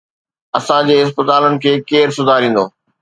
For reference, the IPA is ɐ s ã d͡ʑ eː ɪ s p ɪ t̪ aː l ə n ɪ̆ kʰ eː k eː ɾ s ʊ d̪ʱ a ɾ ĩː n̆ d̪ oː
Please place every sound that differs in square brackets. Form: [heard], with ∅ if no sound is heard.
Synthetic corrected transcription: ɐ s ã d͡ʑ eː ɪ s p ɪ t̪ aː l ə n ɪ̆ kʰ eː k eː ɾ s ʊ d̪ʱ a ɾ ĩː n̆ d̪ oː